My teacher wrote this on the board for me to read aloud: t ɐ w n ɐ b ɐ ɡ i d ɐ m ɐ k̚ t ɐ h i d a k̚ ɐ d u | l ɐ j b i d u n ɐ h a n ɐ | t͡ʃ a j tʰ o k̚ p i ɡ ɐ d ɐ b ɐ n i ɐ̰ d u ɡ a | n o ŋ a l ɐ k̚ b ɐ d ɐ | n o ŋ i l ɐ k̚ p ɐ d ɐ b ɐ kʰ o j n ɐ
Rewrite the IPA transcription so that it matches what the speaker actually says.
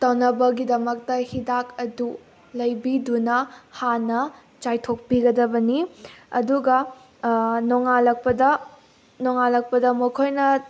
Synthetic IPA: t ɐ w n ɐ b ɐ ɡ i d ɐ m ɐ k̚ t ɐ h i d a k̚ ɐ d u | l ɐ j b i d u n ɐ h a n ɐ | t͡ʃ a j tʰ o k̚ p i ɡ ɐ d ɐ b ɐ n i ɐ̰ d u ɡ ɐ | n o ŋ a l ɐ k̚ p ɐ d ɐ | n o ŋ a l ɐ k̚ p ɐ d ɐ m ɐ kʰ o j n ɐ